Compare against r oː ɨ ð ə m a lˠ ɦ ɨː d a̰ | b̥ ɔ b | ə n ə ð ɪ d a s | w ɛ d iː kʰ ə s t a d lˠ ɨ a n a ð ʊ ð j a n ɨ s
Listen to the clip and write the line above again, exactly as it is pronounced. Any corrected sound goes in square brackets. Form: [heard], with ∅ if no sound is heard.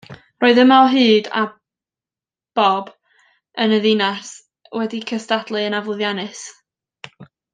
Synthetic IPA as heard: r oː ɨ ð ə m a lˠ ɦ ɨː d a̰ | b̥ ɔ b | ə n ə ð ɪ [n] a s | w ɛ d [i] kʰ ə s t a d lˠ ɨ [ə] n a [v] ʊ ð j a n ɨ s